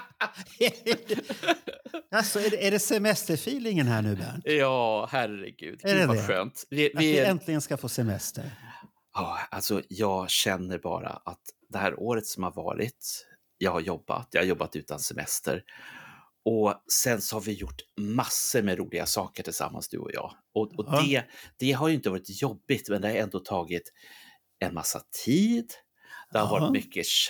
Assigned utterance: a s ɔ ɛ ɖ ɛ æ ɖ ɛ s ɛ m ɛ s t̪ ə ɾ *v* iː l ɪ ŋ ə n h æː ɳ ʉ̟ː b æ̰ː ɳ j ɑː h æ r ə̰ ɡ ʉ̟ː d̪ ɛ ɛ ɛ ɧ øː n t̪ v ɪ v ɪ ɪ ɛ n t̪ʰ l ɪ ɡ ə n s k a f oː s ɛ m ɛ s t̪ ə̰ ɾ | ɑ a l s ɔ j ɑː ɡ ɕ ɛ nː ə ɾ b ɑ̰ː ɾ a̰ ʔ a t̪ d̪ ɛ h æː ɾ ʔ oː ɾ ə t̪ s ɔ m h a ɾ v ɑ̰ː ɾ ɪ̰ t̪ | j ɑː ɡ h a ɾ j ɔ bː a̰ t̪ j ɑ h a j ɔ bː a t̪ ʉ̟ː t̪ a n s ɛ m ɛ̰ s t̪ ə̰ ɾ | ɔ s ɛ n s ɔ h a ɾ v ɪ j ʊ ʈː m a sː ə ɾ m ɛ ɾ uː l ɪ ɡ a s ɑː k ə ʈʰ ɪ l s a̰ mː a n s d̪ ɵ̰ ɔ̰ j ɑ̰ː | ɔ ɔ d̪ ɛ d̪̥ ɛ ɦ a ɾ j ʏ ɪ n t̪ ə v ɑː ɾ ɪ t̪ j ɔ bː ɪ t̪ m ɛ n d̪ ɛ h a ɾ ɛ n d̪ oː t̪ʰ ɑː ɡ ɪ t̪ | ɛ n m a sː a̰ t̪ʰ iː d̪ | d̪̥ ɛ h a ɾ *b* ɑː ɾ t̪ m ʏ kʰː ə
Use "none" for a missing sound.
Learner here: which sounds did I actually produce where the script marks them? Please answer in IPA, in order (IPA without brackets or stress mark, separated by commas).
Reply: f, v